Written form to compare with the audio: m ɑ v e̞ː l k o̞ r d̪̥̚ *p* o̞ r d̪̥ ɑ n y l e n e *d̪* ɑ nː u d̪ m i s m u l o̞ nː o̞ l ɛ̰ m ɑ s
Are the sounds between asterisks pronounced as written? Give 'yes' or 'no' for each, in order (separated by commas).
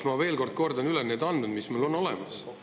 no, yes